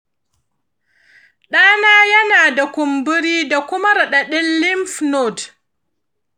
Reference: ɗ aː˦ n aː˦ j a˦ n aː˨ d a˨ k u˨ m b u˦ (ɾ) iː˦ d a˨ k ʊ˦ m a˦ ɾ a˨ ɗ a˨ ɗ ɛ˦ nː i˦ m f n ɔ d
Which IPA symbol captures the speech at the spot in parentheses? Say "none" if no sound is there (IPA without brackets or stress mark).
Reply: ɾ